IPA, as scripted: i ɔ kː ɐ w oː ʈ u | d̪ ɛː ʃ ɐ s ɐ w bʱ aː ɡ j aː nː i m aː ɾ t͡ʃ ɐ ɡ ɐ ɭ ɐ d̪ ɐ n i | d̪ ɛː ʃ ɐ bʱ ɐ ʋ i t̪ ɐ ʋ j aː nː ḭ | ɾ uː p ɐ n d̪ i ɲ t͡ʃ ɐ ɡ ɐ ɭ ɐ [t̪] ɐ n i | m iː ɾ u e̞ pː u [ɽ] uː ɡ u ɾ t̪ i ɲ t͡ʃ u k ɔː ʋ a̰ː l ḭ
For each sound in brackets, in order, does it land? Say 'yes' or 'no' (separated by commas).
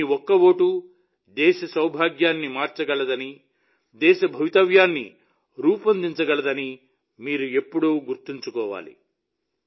no, yes